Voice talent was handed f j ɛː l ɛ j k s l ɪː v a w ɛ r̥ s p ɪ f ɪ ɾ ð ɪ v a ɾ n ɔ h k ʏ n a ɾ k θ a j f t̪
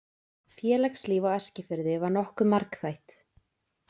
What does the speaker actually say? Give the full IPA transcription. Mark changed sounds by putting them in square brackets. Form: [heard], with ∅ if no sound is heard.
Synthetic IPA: f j ɛː l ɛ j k s l [iː] v a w ɛ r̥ s [c] ɪ f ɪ ɾ ð ɪ v a ɾ n ɔ h k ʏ [m] a ɾ k θ a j [h] t̪